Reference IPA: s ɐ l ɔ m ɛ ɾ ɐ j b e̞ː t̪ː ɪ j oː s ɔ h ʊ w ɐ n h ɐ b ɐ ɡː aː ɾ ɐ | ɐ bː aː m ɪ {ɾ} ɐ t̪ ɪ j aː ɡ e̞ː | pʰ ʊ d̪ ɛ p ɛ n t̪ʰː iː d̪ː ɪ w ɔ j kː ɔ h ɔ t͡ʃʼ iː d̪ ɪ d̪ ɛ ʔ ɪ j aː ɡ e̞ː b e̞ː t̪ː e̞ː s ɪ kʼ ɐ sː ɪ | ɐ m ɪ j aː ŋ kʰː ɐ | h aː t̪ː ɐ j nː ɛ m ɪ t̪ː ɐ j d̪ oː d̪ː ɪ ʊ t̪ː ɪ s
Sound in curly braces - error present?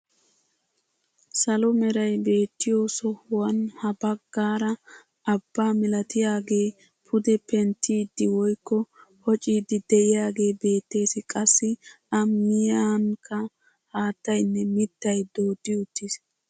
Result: yes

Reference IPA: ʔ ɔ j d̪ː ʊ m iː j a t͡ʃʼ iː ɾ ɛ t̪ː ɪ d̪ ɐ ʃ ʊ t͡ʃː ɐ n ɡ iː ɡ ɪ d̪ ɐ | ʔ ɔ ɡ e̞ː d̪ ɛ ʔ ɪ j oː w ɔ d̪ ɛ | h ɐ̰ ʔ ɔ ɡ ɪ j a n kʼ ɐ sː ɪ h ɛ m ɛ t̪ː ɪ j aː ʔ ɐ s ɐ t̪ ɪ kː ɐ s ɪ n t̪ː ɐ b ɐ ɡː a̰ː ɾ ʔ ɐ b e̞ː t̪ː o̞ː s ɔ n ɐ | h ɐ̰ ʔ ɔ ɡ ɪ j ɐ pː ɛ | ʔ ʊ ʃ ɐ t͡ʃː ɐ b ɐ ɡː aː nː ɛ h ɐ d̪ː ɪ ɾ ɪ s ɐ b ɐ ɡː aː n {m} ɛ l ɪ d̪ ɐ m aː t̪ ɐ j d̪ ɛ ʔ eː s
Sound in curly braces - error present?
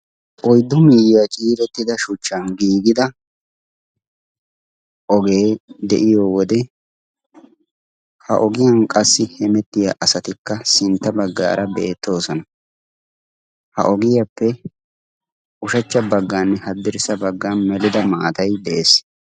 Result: no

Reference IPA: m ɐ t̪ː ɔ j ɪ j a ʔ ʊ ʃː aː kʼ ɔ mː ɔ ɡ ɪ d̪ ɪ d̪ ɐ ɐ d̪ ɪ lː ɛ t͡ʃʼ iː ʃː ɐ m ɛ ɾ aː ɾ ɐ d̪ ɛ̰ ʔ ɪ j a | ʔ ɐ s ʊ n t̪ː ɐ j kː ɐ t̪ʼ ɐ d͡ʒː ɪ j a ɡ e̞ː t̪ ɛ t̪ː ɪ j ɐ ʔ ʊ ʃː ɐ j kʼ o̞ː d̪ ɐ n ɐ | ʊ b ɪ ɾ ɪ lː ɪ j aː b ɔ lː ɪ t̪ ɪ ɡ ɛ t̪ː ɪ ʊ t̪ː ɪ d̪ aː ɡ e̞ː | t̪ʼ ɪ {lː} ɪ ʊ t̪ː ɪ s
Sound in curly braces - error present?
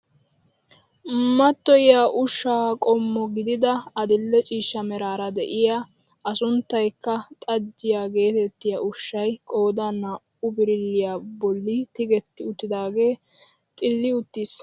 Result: no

